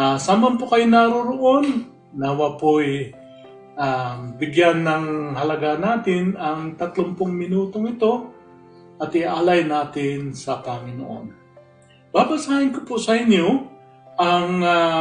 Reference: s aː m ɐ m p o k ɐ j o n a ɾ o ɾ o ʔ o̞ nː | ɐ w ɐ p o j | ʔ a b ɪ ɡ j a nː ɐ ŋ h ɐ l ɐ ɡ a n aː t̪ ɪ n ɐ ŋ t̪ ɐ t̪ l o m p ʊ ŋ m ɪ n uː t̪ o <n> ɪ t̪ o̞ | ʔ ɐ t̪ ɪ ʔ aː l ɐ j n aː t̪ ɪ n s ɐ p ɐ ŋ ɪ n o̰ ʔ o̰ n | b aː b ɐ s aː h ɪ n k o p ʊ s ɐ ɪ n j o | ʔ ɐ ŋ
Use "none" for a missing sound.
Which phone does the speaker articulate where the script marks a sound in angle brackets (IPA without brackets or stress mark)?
ŋ